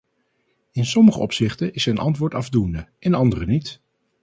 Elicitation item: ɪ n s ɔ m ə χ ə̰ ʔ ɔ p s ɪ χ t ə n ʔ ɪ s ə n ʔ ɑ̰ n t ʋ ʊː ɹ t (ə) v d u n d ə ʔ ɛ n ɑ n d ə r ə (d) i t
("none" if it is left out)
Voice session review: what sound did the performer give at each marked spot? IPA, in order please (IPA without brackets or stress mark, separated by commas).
ɑ, n